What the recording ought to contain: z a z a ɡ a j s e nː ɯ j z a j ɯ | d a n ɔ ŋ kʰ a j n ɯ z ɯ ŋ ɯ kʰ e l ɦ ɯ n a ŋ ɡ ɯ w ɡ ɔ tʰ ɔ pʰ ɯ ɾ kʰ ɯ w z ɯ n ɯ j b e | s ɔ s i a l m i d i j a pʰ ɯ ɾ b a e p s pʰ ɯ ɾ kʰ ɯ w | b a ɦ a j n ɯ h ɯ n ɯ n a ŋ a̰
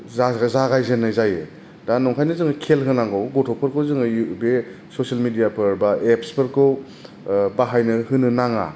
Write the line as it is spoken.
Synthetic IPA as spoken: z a z a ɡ a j z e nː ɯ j z a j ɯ | d a n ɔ ŋ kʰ a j n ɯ z ɯ ŋ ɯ kʰ e l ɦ ɯ n a ŋ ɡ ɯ w ɡ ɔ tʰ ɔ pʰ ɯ ɾ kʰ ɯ w z ɯ ŋ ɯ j b e | s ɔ s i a l m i d i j a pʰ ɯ ɾ b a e p s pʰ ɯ ɾ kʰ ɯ w | b a ɦ a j n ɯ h ɯ n ɯ n a ŋ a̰